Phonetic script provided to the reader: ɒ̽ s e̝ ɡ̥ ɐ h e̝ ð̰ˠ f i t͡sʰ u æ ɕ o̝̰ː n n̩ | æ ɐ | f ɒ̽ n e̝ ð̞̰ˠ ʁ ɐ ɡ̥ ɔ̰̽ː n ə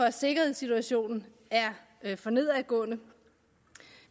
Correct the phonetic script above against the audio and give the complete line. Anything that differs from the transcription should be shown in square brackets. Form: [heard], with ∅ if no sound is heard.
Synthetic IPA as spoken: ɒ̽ s e̝ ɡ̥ ɐ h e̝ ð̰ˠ [s] i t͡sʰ u æ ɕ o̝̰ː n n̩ | æ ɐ | f ɒ̽ n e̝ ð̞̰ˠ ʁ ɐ ɡ̥ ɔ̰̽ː n ə